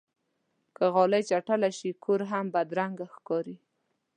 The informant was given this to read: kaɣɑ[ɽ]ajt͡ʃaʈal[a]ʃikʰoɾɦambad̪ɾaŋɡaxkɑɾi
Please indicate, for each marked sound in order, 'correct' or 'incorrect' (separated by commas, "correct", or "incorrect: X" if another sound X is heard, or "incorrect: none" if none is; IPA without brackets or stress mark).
incorrect: l, correct